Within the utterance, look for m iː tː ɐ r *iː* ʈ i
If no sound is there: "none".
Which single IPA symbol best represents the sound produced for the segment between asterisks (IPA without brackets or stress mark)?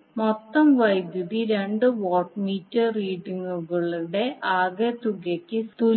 iː